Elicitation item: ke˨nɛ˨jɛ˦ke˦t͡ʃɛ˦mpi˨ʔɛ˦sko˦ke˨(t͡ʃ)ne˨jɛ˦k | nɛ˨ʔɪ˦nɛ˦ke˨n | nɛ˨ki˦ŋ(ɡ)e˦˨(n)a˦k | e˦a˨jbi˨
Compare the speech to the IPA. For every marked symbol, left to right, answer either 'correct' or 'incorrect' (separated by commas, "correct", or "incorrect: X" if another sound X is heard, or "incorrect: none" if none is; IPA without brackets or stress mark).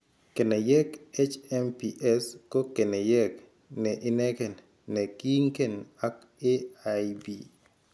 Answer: incorrect: none, incorrect: k, correct